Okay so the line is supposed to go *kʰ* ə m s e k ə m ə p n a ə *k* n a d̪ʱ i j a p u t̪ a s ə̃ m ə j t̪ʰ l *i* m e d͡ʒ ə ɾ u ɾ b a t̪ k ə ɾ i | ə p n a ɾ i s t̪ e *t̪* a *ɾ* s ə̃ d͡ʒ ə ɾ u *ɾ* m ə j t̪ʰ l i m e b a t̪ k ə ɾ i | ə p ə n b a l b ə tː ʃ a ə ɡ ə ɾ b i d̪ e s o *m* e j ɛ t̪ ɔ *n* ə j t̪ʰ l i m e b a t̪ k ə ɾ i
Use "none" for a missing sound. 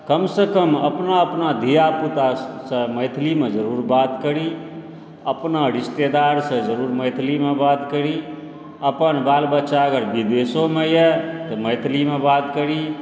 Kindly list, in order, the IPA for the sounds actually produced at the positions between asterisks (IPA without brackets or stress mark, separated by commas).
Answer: k, p, i, d̪, ɾ, ɾ, m, m